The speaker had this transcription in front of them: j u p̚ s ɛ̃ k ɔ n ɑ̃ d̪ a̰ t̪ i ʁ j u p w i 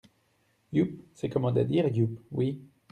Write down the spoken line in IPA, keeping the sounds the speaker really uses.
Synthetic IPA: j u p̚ s ɛ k ɔ m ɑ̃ d̪ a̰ d̪ i ʁ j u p w i